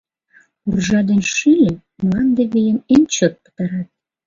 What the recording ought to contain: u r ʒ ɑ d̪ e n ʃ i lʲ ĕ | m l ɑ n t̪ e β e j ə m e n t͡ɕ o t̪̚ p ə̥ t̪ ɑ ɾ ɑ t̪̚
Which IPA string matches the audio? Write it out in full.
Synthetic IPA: u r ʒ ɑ d̪ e n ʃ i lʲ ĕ | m l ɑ n d̪ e β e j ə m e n t͡ɕ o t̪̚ p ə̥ t̪ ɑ ɾ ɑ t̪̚

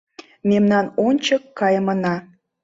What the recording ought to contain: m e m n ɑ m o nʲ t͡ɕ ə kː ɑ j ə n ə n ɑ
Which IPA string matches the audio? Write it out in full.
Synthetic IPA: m e m n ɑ n o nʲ t͡ɕ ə kː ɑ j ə m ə n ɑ

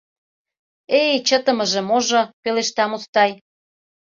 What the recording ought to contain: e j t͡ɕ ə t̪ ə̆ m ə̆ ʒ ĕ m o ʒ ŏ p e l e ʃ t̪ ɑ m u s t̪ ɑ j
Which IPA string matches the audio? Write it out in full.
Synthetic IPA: e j t͡ɕ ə t̪ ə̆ m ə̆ ʒ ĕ m o ʒ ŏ p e l e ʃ t̪ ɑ m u s t̪ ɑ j

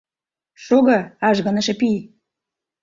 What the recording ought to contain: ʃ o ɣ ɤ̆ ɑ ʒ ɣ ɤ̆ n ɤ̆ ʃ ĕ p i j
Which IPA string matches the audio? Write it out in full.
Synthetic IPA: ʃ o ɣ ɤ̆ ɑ ʒ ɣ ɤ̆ n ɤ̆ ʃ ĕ p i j

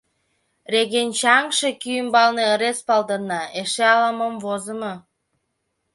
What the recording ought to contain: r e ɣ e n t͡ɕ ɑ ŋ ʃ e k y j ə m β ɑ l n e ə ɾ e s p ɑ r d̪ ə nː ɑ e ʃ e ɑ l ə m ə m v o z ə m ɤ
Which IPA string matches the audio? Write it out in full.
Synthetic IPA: r e ɣ e n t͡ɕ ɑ ŋ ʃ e k y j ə m b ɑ l n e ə ɾ e s p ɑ l d̪ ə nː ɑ e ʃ e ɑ l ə m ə m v o z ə m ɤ

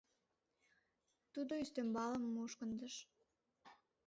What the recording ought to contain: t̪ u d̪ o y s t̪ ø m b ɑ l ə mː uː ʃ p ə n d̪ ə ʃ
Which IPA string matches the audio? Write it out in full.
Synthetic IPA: t̪ u d̪ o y s t̪ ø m b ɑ l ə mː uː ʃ k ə n d̪ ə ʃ

